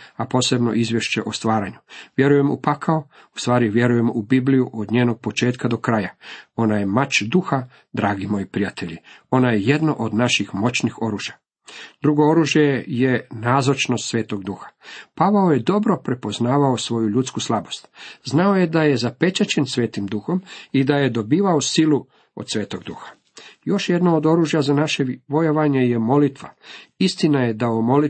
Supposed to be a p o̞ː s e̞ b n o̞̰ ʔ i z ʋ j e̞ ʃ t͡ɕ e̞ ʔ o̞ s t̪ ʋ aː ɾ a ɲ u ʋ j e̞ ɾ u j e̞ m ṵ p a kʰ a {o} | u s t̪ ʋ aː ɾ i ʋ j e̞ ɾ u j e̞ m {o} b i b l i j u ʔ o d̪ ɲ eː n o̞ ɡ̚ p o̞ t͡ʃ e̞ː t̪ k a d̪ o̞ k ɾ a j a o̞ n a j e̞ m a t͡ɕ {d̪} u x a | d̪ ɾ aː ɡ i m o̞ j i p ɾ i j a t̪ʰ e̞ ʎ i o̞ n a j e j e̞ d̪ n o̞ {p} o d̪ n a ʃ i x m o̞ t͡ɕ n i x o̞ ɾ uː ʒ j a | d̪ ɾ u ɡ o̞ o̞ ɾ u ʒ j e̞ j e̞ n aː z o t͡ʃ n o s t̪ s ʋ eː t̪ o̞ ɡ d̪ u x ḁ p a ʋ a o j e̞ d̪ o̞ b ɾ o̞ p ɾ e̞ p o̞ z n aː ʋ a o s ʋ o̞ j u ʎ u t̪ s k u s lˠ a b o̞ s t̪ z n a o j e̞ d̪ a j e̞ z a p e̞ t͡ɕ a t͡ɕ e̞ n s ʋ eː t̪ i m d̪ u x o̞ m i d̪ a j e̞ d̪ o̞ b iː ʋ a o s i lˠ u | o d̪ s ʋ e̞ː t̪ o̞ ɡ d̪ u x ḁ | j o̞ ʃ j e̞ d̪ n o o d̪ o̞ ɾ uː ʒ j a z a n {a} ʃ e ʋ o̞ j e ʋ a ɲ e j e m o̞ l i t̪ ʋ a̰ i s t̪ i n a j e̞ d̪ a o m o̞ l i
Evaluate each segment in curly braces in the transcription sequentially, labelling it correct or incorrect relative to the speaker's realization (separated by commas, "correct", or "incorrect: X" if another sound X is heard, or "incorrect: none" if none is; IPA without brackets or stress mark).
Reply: correct, incorrect: u, correct, incorrect: ʔ, correct